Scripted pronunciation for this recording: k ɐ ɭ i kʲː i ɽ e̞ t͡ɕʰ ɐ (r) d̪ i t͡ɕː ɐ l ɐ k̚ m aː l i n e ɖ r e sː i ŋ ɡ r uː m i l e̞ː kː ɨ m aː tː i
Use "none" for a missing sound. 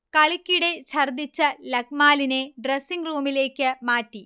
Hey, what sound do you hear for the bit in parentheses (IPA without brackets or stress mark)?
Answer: r